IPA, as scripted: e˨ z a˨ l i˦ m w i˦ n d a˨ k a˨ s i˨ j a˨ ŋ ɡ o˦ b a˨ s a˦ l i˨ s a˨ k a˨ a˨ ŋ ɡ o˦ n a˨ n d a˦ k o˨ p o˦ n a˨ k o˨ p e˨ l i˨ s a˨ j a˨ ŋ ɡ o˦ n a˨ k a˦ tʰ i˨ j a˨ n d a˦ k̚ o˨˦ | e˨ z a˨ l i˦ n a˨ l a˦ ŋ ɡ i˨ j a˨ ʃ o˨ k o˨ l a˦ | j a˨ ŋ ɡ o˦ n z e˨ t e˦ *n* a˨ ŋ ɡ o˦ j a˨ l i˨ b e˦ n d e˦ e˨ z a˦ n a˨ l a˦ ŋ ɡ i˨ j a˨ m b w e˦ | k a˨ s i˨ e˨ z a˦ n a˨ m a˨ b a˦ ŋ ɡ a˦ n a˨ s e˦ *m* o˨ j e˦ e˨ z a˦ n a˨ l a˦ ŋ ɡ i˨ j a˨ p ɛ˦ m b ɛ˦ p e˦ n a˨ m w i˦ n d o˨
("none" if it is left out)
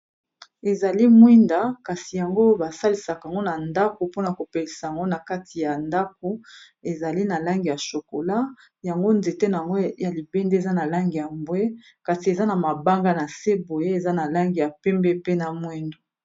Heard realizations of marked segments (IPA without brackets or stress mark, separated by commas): n, b